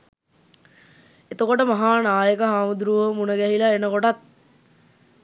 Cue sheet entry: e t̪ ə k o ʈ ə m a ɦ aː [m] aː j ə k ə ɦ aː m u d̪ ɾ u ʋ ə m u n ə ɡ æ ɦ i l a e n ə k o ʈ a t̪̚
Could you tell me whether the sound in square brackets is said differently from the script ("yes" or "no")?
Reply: yes